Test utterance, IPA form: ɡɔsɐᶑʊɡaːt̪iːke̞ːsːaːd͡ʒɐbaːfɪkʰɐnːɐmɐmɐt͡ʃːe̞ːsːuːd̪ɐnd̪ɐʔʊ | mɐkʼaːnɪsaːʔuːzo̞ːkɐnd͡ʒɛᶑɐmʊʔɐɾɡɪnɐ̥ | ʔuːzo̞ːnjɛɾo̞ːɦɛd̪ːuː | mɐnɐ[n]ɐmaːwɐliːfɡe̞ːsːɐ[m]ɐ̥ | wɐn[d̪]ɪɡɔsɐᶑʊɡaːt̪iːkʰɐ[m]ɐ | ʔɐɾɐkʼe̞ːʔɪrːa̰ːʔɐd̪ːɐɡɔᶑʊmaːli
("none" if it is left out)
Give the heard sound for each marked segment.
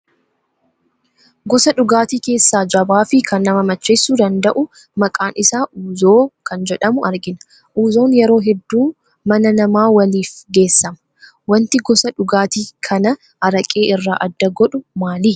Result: n, m, t̪, n

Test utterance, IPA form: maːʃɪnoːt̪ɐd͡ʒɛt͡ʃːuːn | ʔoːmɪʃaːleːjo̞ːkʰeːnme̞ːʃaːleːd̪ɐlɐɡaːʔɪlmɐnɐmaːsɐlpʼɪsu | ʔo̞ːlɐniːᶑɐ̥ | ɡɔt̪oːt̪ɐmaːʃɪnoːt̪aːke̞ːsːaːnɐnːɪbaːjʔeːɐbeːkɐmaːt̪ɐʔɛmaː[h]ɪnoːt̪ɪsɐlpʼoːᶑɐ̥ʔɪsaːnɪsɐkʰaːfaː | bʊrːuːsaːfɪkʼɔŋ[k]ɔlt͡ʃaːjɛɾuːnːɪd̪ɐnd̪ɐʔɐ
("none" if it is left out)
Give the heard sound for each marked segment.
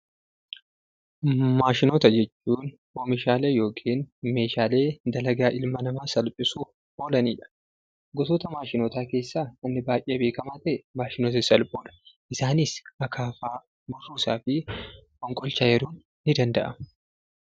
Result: ʃ, kʼ

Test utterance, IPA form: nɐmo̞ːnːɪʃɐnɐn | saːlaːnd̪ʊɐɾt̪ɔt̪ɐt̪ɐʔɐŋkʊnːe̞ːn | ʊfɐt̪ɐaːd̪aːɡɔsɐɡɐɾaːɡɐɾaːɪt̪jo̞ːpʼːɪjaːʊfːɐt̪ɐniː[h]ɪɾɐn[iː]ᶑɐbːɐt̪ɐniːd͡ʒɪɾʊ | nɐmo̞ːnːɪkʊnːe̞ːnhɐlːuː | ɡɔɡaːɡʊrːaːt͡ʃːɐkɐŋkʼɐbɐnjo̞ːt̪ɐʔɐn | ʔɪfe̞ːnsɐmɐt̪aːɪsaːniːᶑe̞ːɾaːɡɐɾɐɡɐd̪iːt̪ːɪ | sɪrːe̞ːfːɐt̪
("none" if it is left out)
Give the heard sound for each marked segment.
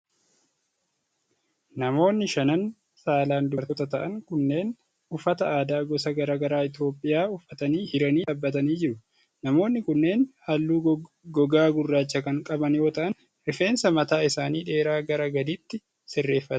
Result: h, iː

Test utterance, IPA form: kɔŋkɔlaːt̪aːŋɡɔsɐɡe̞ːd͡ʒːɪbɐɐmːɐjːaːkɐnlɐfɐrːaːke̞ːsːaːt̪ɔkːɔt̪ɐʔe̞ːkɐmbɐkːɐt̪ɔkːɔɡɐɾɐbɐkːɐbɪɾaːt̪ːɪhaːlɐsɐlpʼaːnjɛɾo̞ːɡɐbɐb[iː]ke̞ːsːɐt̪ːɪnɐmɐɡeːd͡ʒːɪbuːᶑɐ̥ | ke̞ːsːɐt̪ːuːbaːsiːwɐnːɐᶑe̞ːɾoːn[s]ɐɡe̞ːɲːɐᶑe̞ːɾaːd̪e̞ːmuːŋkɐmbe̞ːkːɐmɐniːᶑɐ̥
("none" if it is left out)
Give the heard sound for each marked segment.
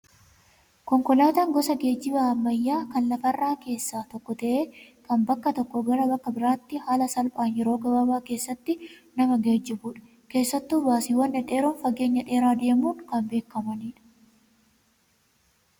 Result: aː, f

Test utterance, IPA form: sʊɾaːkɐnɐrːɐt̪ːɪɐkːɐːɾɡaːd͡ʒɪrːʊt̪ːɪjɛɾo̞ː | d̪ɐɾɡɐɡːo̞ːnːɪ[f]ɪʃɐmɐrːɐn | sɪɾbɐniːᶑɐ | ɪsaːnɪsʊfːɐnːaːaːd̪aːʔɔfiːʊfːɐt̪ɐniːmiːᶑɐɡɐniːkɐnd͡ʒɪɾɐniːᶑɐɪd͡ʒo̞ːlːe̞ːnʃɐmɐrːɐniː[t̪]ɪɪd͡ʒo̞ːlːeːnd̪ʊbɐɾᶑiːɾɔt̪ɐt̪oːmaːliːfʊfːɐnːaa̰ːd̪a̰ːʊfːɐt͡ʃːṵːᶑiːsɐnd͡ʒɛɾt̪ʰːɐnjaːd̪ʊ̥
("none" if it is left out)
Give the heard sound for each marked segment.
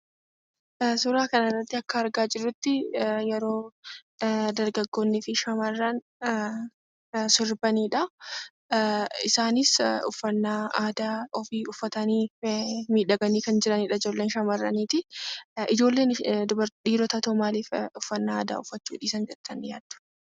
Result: f, t̪

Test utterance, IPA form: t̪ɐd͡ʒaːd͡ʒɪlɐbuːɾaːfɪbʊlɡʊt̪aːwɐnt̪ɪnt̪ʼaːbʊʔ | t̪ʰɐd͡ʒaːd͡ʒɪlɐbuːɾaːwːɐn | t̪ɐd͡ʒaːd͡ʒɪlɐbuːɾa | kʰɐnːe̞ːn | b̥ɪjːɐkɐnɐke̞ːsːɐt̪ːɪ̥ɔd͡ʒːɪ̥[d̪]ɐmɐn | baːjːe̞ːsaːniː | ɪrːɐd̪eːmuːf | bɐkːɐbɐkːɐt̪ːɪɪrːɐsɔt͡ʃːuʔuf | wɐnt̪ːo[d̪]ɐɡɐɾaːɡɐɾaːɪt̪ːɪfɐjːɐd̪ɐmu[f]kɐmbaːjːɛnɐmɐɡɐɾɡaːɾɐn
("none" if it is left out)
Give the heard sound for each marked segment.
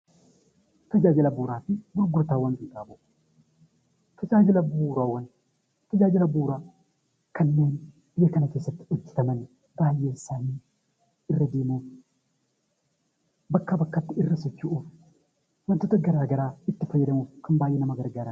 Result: t̪, t̪, f

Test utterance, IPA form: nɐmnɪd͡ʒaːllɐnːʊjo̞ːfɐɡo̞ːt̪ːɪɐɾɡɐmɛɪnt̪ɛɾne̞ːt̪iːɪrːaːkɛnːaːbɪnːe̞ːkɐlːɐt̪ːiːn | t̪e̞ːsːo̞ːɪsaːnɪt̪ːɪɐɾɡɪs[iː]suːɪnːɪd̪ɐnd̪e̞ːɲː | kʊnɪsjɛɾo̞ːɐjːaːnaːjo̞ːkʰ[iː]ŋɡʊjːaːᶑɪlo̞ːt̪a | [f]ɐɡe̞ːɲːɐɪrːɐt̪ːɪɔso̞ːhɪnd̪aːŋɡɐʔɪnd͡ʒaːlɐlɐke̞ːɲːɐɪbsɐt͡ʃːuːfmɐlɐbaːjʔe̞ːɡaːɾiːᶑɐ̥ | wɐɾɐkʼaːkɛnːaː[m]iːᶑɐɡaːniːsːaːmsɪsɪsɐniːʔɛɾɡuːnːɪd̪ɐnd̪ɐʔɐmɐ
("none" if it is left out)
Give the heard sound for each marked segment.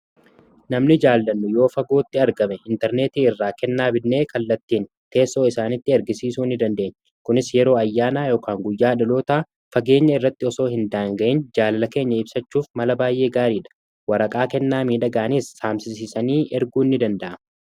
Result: iː, aː, f, m

